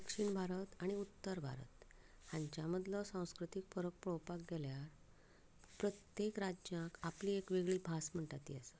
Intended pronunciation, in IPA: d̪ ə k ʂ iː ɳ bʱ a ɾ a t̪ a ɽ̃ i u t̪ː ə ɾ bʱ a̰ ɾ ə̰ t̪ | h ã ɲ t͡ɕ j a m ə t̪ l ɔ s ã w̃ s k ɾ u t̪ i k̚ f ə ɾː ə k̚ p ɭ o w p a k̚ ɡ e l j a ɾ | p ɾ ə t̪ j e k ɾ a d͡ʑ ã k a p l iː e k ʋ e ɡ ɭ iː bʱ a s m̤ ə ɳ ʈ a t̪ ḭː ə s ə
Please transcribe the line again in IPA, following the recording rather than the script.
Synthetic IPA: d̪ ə k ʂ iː ɳ bʱ a ɾ ə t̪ a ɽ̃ i u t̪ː ə ɾ bʱ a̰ ɾ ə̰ t̪ | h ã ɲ t͡ɕ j a m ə d̪ l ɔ s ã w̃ s k ɾ u t̪ i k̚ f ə ɾ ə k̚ p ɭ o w p a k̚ ɡ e l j a ɾ | p ɾ ə t̪ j e k ɾ a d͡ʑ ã k a p l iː e k ʋ e ɡ ɭ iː bʱ a s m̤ ə ɳ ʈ a t̪ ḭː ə s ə

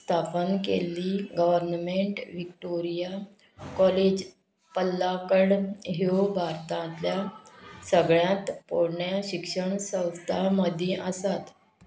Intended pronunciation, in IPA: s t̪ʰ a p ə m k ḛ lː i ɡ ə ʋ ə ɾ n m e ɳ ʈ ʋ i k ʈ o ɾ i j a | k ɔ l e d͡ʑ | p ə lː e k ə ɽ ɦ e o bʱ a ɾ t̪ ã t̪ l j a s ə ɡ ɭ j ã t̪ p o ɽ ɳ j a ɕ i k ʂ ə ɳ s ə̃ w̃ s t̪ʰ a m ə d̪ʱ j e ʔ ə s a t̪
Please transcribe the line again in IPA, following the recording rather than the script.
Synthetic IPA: s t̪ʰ a p ə n k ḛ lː i ɡ ə ʋ ə ɾ n m e ɳ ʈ ʋ i k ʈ o ɾ i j a | k ɔ l e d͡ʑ | p ə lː a k ə ɽ ɦ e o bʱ a ɾ t̪ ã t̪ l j a s ə ɡ ɭ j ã t̪ p o ɽ ɳ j a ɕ i k ʂ ə ɳ s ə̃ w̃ s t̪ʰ a m ə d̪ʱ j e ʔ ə s a t̪

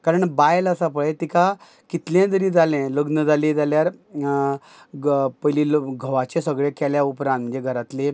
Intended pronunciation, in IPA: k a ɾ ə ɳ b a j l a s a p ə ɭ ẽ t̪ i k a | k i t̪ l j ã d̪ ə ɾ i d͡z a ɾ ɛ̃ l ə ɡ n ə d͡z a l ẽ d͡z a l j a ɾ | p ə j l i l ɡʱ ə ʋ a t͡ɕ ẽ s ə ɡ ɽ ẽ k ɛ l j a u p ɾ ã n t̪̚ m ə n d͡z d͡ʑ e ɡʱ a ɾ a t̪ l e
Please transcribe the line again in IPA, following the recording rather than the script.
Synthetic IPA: k a ɾ ə ɳ b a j l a s a p ə ɭ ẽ t̪ i k a | k i t̪ l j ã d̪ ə ɾ i d͡z a l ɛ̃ l ə ɡ n ə d͡z a l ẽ d͡z a l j a ɾ | p ə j l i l ɡʱ ə ʋ a t͡ɕ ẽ s ə ɡ ɭ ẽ k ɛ l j a u p ɾ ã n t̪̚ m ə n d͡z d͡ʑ e ɡʱ ə ɾ a t̪ l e

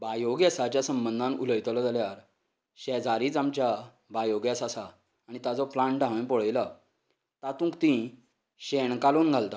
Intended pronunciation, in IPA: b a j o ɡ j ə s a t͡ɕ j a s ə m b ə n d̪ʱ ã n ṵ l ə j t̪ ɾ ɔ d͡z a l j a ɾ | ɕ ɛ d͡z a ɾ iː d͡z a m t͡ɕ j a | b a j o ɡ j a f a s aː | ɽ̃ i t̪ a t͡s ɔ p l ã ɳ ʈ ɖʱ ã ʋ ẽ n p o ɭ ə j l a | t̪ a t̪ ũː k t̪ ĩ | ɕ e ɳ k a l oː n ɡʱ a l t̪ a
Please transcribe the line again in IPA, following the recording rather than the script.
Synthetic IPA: b a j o ɡ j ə s a t͡ɕ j a s ə m b ə n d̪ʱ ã n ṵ l ə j t̪ l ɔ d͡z a l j a ɾ | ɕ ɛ d͡z a ɾ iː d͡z a m t͡ɕ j a | b a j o ɡ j a s a s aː | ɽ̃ i t̪ a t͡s ɔ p l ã ɳ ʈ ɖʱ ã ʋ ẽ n p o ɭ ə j l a | t̪ a t̪ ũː k t̪ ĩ | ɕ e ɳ k a l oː n ɡʱ a l t̪ a

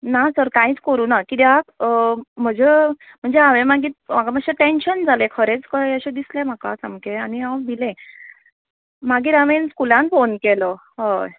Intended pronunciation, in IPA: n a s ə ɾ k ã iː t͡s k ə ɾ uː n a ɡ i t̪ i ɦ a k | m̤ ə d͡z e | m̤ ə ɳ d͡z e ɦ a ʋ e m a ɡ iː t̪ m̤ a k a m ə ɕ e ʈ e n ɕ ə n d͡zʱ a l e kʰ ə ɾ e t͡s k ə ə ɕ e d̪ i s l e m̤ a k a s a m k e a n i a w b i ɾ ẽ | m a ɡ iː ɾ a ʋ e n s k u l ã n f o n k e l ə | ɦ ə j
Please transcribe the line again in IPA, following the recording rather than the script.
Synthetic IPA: n a s ə ɾ k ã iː t͡s k ə ɾ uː n a k i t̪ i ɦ a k | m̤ ə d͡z e | m̤ ə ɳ d͡z e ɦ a ʋ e m a ɡ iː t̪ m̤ a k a m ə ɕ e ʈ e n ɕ ə n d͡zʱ a l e kʰ ə ɾ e t͡s k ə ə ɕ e d̪ i s l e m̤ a k a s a m k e a n i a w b i l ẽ | m a ɡ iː ɾ a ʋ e n s k u l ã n f o n k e l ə | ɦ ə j

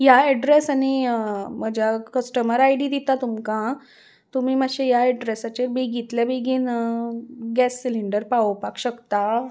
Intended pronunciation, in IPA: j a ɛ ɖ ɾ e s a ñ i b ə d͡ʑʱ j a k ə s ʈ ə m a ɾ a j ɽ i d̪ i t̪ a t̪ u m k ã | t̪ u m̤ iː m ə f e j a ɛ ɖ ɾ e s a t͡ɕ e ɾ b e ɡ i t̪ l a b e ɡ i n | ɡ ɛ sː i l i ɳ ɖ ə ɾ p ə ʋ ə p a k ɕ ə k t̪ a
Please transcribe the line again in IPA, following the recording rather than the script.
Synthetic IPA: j a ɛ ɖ ɾ e s a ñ i m ə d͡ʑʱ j a k ə s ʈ ə m ə ɾ a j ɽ i d̪ i t̪ a t̪ u m k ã | t̪ u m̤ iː m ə ɕ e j a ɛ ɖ ɾ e s a t͡ɕ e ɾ b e ɡ i t̪ l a b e ɡ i n | ɡ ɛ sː i l i ɳ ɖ ə ɾ p a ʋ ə p a k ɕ ə k t̪ a

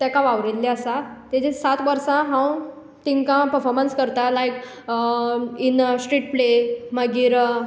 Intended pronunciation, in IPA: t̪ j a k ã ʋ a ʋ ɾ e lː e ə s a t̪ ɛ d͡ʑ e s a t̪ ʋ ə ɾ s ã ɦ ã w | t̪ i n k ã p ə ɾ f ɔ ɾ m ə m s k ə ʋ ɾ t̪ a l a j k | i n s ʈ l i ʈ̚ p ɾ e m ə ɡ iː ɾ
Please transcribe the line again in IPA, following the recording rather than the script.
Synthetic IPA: t̪ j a k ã ʋ a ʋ ɾ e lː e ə s a t̪ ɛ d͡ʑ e s a t̪ ʋ ə ɾ s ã ɦ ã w | t̪ i ŋ k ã p ə ɾ f ɔ ɾ m ə n s k ə ɾ t̪ a l a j k | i n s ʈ ɾ i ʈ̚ p l e m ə ɡ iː ɾ

